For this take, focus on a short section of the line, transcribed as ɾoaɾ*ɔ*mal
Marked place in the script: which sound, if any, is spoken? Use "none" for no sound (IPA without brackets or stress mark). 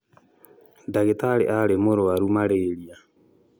u